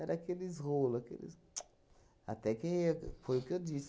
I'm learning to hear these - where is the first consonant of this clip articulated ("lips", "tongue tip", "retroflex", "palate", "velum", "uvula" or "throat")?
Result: tongue tip